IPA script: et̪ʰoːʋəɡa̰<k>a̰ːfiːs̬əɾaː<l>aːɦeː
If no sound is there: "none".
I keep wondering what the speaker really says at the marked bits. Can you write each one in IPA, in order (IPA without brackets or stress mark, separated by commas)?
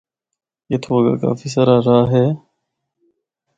k, ɾ